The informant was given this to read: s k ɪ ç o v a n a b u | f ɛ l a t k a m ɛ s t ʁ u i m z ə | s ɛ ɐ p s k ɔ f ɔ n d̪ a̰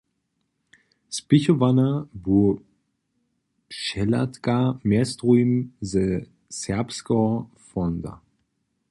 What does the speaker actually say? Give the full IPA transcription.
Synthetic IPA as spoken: s p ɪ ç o v a n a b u | ʃ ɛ l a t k a m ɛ s t ʁ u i m z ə | s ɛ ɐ p s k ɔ f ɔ n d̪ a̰